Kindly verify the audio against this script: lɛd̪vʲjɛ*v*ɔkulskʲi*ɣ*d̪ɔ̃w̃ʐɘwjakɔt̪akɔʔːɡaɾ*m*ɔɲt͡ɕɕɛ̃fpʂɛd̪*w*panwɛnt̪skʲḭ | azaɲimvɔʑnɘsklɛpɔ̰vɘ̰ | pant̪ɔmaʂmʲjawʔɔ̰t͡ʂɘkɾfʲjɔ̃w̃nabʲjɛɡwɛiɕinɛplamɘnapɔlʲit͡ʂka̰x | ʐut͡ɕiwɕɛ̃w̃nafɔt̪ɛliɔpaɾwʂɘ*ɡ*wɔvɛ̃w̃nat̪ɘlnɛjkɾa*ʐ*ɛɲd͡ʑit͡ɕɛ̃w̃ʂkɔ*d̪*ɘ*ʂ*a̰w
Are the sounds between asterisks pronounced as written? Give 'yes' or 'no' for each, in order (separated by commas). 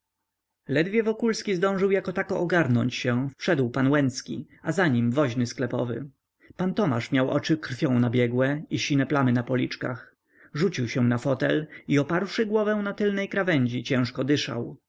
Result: yes, no, no, yes, yes, no, yes, yes